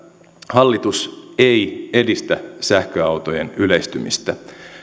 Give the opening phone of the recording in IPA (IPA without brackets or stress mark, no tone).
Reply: h